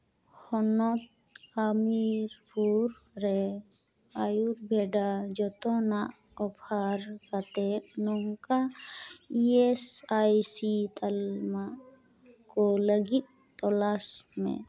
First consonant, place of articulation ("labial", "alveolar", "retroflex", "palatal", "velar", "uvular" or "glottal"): glottal